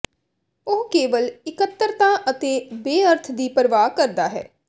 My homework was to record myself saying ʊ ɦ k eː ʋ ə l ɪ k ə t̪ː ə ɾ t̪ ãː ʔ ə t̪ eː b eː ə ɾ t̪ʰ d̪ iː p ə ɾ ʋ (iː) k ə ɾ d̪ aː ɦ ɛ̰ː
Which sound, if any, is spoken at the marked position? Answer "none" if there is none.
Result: aː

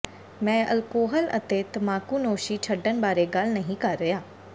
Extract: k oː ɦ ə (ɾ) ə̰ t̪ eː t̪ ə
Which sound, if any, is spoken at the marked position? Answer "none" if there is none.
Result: l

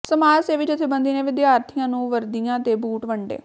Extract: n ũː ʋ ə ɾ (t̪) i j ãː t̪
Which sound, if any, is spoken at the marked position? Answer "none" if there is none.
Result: d̪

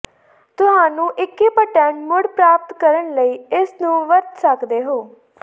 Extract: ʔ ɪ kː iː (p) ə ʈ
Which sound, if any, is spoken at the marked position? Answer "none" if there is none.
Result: p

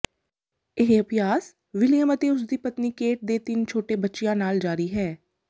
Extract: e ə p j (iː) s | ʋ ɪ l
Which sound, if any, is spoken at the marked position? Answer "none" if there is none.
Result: aː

